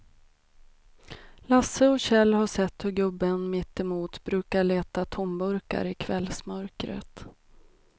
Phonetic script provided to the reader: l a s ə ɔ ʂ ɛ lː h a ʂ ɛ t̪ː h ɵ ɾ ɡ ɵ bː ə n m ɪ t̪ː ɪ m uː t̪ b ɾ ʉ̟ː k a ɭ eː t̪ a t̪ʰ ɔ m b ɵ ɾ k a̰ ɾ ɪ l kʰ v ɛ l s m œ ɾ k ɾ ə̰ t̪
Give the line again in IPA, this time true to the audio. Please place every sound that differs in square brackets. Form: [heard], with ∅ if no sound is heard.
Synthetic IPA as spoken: l a s ə ɔ [ɕ] ɛ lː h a ʂ ɛ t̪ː h ɵ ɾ ɡ ɵ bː ə n m ɪ t̪ː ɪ m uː t̪ b ɾ ʉ̟ː k a ɭ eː t̪ a t̪ʰ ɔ m b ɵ ɾ k a̰ ɾ ɪ [∅] kʰ v ɛ l s m œ ɾ k ɾ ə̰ t̪